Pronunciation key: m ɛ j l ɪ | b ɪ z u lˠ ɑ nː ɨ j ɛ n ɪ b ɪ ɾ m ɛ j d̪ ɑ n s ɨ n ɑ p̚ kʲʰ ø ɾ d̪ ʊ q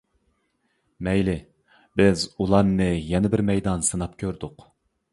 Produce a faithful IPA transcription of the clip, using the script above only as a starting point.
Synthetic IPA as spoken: m ɛ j l ɪ | b ɪ z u lˠ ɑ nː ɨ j ɛ n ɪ b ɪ ɾ m ɛ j d̪ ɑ n s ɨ n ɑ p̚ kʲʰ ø ɾ d̪ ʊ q